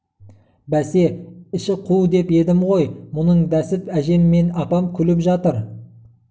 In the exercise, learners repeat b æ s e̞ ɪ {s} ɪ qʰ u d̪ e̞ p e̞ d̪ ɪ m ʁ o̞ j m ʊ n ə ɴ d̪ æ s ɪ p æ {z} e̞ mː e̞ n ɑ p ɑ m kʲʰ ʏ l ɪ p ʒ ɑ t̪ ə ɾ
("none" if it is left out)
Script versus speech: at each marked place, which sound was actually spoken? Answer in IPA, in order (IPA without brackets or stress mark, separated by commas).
ʃ, ʒ